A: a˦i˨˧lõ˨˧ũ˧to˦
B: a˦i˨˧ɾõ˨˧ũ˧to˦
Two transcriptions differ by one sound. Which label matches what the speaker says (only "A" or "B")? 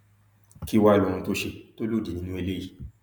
A